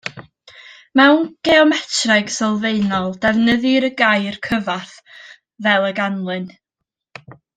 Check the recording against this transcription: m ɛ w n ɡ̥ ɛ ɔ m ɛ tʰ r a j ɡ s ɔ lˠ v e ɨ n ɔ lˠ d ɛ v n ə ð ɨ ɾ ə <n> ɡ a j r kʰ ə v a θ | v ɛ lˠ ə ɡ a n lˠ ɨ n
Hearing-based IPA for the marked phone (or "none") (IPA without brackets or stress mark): none